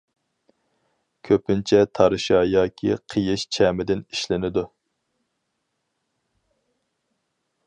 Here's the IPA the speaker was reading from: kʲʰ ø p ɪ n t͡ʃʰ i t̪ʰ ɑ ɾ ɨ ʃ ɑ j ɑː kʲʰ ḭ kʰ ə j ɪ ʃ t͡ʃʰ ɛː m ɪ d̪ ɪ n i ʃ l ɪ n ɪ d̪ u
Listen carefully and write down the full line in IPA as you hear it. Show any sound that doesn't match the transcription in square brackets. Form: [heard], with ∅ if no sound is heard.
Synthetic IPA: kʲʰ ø p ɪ n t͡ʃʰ [ɛ] t̪ʰ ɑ ɾ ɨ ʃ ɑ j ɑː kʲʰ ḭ [qʰ] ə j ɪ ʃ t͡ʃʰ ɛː m ɪ d̪ ɪ n i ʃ l ɪ n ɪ d̪ u

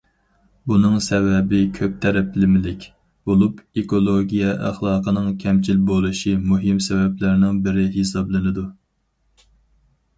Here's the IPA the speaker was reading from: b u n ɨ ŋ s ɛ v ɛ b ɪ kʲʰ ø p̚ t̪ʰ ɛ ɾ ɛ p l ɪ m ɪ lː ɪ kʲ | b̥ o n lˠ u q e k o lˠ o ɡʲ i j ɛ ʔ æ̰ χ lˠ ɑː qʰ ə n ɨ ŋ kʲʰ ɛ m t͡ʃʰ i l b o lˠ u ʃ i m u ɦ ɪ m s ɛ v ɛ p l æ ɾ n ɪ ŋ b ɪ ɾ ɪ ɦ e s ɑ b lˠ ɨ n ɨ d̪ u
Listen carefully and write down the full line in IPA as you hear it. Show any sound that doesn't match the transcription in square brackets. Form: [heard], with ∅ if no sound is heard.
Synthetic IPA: b u n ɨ ŋ s ɛ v ɛ b ɪ kʲʰ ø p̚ t̪ʰ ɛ ɾ ɛ p l ɪ m ɪ [l] ɪ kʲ | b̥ o [∅] lˠ u [p] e k o lˠ o ɡʲ i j ɛ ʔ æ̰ χ lˠ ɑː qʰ ə n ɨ ŋ kʲʰ ɛ m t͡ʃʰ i l b o lˠ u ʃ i m u ɦ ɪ m s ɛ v ɛ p l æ ɾ n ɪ ŋ b ɪ ɾ ɪ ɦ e s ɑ b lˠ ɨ n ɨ d̪ u

